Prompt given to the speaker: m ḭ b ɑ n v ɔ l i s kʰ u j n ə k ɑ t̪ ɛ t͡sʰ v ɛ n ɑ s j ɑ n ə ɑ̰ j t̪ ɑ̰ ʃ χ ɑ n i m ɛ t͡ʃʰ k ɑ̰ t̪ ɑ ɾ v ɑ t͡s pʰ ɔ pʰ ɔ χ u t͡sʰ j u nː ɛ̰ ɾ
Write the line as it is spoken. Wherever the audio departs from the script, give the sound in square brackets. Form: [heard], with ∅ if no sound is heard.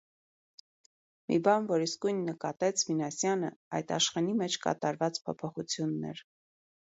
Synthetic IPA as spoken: m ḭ b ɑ n v ɔ [ɾ] i s [k] u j [nː] ə k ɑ t̪ ɛ t͡sʰ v [i] n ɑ s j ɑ n ə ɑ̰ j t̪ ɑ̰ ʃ χ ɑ n i m ɛ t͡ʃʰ k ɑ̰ t̪ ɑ ɾ v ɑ t͡s pʰ ɔ pʰ ɔ χ u t͡sʰ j u nː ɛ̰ ɾ